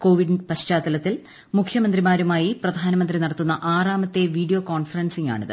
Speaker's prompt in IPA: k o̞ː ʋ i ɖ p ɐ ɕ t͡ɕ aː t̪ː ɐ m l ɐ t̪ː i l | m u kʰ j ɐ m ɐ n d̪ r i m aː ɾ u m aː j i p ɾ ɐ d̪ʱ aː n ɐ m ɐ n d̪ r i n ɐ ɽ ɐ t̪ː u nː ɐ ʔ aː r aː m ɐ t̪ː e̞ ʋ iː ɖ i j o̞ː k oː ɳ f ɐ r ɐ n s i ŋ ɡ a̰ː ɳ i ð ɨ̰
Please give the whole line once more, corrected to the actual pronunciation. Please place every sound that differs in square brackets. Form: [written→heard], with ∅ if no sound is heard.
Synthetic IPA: k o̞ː ʋ i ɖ p ɐ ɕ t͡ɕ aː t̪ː ɐ [m→∅] l ɐ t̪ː i l | m u kʰ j ɐ m ɐ n d̪ r i m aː ɾ u m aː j i p [ɾ→r] ɐ d̪ʱ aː n ɐ m ɐ n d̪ r i n ɐ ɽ ɐ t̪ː u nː ɐ ʔ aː r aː m ɐ t̪ː e̞ ʋ iː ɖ i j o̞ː k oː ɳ f ɐ r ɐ n s i ŋ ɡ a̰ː ɳ i ð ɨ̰

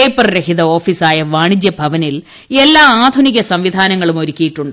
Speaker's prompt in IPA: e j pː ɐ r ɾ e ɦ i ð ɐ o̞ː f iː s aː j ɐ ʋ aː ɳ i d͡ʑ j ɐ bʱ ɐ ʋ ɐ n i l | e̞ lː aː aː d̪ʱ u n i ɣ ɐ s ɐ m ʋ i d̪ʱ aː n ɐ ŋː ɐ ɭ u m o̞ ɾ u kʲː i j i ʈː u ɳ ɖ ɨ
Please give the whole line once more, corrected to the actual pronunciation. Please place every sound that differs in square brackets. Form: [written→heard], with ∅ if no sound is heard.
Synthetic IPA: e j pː ɐ r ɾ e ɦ i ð ɐ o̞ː f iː s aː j ɐ ʋ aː ɳ i d͡ʑ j ɐ bʱ ɐ ʋ ɐ n i l | e̞ lː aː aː d̪ʱ u n i ɣ ɐ s ɐ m ʋ i d̪ʱ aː n ɐ ŋː ɐ ɭ u m o̞ ɾ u kʲː i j i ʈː u ɳ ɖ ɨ

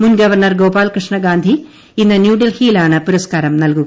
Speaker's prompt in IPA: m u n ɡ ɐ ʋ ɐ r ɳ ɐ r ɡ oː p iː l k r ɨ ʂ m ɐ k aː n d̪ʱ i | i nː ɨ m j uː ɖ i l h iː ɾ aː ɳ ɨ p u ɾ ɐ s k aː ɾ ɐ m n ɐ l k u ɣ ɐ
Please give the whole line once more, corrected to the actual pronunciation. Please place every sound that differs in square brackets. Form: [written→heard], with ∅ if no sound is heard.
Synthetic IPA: m u n ɡ ɐ ʋ ɐ r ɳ ɐ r ɡ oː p [iː→aː] l k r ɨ ʂ [m→ɳ] ɐ [k→ɡ] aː n d̪ʱ i | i nː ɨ [m→n] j uː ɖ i l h iː [ɾ→l] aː ɳ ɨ p u ɾ ɐ s k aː ɾ ɐ m n ɐ l k u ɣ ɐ

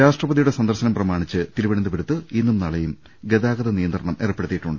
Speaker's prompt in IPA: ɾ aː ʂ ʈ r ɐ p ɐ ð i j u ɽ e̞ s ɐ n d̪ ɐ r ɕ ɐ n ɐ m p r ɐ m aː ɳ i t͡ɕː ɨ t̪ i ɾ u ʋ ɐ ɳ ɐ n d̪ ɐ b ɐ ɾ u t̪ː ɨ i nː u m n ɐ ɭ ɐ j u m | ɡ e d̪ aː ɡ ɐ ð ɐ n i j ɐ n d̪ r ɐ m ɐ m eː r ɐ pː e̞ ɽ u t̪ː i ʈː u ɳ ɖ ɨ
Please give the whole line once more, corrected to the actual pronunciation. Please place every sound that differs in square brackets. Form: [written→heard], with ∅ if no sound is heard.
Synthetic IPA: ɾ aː ʂ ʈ r ɐ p ɐ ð i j u ɽ e̞ s ɐ n d̪ ɐ r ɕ ɐ n ɐ m p r ɐ m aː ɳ i t͡ɕː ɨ t̪ i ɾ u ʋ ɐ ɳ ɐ n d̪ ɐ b ɐ ɾ u t̪ː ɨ i nː u m n ɐ ɭ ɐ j u m | ɡ e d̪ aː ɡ ɐ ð ɐ n i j ɐ n d̪ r ɐ [m→ɳ] ɐ m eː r ɐ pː e̞ ɽ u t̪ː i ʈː u ɳ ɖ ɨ

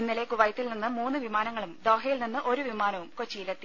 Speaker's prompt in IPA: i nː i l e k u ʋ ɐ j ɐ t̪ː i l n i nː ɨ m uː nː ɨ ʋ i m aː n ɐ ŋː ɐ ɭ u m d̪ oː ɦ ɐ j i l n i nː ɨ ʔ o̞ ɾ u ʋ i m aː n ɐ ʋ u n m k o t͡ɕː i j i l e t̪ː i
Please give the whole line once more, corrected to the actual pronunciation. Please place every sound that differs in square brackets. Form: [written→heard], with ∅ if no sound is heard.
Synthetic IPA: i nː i l e k u ʋ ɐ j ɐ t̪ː i l n i nː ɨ m uː nː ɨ ʋ i m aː n ɐ ŋː ɐ ɭ u m d̪ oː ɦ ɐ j i l n i nː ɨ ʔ o̞ ɾ u ʋ i m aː n ɐ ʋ u [n→∅] m k o t͡ɕː i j i l e t̪ː i

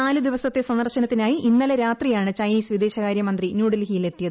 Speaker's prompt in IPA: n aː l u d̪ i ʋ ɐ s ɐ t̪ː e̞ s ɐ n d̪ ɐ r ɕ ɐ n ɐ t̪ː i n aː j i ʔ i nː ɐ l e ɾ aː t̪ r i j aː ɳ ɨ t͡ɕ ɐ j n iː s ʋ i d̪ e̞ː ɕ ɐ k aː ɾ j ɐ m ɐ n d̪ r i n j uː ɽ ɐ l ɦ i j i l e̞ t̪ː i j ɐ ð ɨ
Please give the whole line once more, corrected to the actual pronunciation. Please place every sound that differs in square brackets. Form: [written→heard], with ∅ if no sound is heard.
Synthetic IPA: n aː l u d̪ i ʋ ɐ s ɐ t̪ː e̞ s ɐ n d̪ ɐ r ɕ ɐ n ɐ t̪ː i n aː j i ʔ i nː ɐ l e ɾ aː t̪ r i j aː ɳ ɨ t͡ɕ ɐ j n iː s ʋ i d̪ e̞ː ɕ ɐ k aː ɾ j ɐ m ɐ n d̪ r i n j uː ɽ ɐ l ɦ i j i l e̞ t̪ː i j ɐ ð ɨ

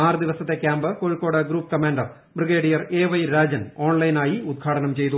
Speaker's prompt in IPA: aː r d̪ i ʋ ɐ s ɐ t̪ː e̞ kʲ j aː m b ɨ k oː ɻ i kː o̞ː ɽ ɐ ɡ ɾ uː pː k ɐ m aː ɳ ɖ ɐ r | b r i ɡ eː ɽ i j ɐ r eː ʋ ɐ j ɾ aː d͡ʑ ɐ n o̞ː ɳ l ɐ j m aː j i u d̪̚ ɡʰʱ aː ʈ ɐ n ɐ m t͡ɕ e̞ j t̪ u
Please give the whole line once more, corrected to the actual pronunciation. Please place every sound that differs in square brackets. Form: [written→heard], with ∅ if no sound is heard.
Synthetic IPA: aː r d̪ i ʋ ɐ s ɐ t̪ː e̞ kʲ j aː m b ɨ k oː ɻ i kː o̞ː ɽ ɐ ɡ ɾ uː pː k ɐ m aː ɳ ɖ ɐ r | b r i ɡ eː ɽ i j ɐ r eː ʋ ɐ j ɾ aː d͡ʑ ɐ n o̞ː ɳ l ɐ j [m→n] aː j i u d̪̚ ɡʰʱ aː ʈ ɐ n ɐ m t͡ɕ e̞ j t̪ u

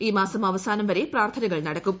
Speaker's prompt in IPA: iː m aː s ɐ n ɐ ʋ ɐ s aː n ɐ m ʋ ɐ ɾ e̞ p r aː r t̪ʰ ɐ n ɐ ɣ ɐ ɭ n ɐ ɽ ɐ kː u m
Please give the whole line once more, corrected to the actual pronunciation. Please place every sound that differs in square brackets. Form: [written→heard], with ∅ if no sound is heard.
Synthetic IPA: iː m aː s ɐ [n→m] ɐ ʋ ɐ s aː n ɐ m ʋ ɐ ɾ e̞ p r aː r t̪ʰ ɐ n ɐ ɣ ɐ ɭ n ɐ ɽ ɐ kː u m

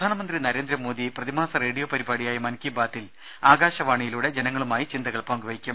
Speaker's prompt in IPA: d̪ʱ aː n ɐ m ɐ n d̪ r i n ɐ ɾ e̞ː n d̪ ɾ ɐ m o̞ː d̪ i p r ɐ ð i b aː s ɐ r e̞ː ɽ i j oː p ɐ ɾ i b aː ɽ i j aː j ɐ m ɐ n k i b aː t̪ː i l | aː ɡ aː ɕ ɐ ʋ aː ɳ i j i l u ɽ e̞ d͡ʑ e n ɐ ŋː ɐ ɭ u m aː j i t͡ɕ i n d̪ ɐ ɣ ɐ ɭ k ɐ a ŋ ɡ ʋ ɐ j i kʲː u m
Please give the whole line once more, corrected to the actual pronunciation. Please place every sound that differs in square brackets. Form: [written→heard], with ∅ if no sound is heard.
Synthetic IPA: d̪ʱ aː n ɐ m ɐ n d̪ r i n ɐ ɾ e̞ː n d̪ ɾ ɐ m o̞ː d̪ i p r ɐ ð i [b→m] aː s ɐ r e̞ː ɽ i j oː p ɐ ɾ i b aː ɽ i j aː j ɐ m ɐ n k i b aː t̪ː i l | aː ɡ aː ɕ ɐ ʋ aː ɳ i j i l u ɽ e̞ d͡ʑ e n ɐ ŋː ɐ ɭ u m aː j i t͡ɕ i n d̪ ɐ ɣ ɐ ɭ [k→p] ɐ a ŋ ɡ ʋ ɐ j i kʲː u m

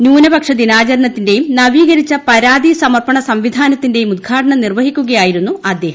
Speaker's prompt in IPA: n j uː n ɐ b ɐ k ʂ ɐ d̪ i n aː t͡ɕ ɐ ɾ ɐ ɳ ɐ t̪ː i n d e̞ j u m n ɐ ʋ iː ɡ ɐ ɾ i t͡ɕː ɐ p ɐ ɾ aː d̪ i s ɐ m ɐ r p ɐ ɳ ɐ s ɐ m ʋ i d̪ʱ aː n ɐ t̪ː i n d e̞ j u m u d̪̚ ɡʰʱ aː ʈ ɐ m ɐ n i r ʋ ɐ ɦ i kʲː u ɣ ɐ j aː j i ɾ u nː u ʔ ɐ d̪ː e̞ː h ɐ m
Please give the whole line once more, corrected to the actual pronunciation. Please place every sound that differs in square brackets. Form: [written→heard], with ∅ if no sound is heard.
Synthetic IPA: n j uː n ɐ b ɐ k ʂ ɐ d̪ i n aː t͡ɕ ɐ ɾ ɐ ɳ ɐ t̪ː i n d e̞ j u m n ɐ ʋ iː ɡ ɐ ɾ i t͡ɕː ɐ p ɐ ɾ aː d̪ i s ɐ m ɐ r p ɐ ɳ ɐ s ɐ m ʋ i d̪ʱ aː n ɐ t̪ː i n d e̞ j u m u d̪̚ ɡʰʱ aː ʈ ɐ [m→ɳ] ɐ n i r ʋ ɐ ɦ i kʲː u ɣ ɐ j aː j i ɾ u nː u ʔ ɐ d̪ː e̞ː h ɐ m

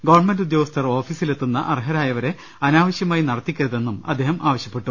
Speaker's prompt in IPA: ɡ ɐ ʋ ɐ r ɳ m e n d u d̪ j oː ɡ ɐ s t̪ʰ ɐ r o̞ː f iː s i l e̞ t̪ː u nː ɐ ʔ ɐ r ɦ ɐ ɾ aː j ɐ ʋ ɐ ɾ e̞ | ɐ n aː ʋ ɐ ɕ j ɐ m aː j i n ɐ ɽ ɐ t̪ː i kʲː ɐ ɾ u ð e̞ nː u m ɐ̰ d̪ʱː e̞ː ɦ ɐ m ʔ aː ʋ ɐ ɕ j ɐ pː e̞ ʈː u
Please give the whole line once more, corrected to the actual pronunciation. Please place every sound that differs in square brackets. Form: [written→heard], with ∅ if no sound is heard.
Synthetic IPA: ɡ ɐ ʋ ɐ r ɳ m e n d u d̪ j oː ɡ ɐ s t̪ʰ ɐ r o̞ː f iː s i l e̞ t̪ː u nː ɐ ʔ ɐ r ɦ ɐ ɾ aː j ɐ ʋ ɐ ɾ e̞ | ɐ n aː ʋ ɐ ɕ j ɐ m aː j i n ɐ ɽ ɐ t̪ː i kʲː ɐ ɾ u ð e̞ nː u m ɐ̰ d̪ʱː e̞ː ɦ ɐ m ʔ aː ʋ ɐ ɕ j ɐ pː e̞ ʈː u

